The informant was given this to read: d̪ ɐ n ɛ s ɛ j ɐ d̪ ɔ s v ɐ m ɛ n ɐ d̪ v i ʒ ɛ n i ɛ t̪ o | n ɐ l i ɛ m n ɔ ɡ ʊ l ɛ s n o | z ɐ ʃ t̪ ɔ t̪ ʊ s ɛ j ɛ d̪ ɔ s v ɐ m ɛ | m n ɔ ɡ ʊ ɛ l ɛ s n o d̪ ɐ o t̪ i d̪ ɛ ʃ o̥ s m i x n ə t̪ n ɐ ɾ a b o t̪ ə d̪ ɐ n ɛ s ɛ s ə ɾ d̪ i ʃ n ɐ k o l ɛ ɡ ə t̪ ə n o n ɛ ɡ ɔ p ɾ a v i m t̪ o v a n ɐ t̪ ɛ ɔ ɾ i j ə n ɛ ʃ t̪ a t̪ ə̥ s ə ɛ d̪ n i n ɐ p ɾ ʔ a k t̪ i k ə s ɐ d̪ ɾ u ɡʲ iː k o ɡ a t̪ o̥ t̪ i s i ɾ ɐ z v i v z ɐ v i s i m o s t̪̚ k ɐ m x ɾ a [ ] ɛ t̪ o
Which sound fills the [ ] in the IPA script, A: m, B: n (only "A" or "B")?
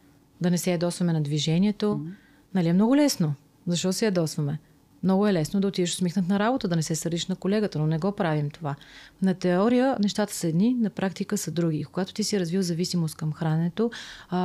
B